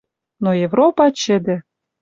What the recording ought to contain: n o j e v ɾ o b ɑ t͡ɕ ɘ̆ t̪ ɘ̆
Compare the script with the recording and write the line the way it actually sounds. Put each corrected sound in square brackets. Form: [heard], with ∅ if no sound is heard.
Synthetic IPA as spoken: n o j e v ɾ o [p] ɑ t͡ɕ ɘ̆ [d̪] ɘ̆